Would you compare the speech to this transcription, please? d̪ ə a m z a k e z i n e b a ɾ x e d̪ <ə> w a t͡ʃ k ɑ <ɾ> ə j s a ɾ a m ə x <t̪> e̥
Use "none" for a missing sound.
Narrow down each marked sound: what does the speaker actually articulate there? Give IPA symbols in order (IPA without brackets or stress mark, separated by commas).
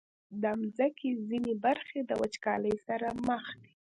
ə, l, d̪